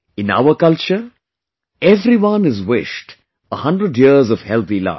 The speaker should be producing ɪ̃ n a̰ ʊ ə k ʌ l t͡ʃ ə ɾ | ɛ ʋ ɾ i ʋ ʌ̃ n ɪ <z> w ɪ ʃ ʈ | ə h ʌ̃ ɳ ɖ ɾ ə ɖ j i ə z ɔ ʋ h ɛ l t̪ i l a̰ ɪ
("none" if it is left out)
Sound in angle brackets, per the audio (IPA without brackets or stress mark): z